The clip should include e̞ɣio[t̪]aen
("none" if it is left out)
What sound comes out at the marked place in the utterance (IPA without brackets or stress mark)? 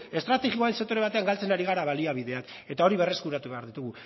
none